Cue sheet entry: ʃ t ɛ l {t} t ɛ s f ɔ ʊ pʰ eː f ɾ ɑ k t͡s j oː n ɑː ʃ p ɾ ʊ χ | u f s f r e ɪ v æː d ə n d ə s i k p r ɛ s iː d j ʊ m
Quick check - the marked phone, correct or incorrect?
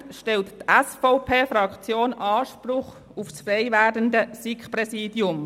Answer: correct